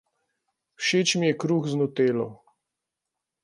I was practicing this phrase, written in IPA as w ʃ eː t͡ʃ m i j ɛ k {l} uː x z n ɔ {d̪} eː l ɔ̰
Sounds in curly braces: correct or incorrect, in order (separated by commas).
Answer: incorrect, incorrect